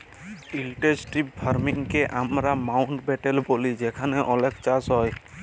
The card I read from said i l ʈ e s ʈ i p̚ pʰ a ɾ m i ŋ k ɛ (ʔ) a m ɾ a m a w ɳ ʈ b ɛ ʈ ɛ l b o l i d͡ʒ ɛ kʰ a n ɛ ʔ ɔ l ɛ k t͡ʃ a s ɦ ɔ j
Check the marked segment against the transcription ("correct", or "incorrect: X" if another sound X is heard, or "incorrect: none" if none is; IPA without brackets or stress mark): correct